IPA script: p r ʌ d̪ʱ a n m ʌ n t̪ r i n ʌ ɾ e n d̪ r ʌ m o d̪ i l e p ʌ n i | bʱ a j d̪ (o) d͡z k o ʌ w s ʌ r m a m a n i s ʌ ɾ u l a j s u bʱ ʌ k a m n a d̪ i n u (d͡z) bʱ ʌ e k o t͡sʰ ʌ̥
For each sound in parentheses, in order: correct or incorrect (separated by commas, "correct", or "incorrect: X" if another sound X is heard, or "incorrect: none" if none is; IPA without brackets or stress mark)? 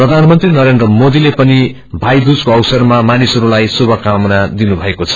incorrect: u, incorrect: none